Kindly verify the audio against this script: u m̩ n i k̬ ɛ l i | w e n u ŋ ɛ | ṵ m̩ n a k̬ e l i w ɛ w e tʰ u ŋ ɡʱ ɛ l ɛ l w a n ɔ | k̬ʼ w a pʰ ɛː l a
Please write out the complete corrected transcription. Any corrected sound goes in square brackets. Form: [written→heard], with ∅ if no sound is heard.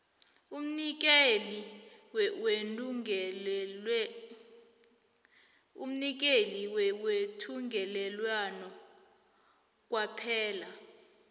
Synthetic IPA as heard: u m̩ n i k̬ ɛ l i | w e n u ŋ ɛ | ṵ m̩ n [a→i] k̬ e l i w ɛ w e tʰ u ŋ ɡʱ ɛ l ɛ l w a n ɔ | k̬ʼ w a pʰ ɛː l a